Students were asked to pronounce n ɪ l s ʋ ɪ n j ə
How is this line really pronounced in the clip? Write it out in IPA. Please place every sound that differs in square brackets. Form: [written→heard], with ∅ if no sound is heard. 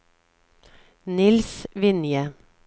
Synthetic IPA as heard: n ɪ l s ʋ ɪ n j ə